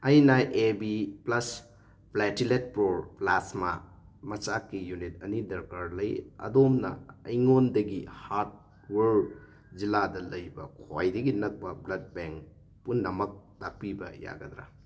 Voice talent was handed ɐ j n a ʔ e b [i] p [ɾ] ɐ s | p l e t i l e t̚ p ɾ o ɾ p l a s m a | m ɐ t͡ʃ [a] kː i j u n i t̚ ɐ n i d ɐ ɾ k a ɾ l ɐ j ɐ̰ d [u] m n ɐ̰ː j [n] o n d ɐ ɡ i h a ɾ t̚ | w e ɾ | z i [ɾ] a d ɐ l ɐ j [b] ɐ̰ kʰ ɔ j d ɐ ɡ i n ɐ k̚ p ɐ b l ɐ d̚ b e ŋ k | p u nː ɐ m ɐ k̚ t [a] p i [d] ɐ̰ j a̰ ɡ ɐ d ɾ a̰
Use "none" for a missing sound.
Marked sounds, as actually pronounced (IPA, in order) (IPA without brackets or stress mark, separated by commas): i, l, a, o, ŋ, l, b, a, b